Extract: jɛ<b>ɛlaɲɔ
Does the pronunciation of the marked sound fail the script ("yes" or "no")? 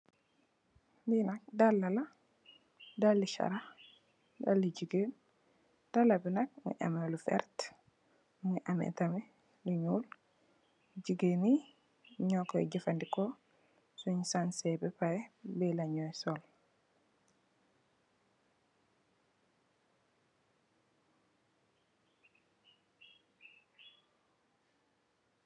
no